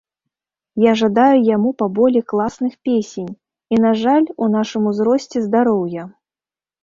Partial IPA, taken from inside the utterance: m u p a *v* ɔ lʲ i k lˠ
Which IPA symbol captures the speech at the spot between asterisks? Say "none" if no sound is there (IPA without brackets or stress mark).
b